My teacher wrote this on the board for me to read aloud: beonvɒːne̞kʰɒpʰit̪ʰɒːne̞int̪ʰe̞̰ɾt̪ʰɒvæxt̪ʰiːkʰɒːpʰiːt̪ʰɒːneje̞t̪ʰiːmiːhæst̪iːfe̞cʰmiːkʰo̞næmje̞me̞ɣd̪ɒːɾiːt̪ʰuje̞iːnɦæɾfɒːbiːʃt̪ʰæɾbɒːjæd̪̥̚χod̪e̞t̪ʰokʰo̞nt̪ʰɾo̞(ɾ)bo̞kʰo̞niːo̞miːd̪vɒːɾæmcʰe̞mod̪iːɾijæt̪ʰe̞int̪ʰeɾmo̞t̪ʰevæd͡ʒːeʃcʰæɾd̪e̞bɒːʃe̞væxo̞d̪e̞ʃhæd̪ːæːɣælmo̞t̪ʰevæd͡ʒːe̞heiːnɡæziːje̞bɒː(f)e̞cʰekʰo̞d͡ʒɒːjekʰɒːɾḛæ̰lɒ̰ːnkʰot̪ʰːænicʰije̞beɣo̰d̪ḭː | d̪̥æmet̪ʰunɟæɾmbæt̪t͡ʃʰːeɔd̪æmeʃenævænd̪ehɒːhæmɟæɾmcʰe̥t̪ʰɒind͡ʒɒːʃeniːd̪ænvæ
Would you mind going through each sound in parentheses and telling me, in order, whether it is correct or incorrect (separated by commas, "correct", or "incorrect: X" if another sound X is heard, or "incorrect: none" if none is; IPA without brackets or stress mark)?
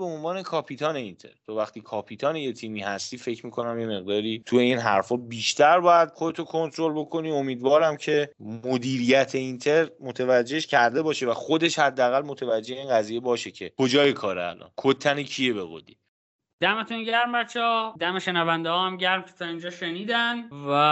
incorrect: l, incorrect: ʃ